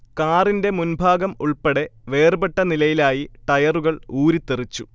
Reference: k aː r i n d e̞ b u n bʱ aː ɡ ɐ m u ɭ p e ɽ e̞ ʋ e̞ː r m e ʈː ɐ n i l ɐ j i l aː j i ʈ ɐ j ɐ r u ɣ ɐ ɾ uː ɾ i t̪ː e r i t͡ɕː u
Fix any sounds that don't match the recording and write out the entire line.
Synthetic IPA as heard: k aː r i n d e̞ m u n bʱ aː ɡ ɐ m u ɭ p e ɽ e̞ ʋ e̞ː r b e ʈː ɐ n i l ɐ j i l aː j i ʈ ɐ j ɐ r u ɣ ɐ ɭ uː ɾ i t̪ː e r i t͡ɕː u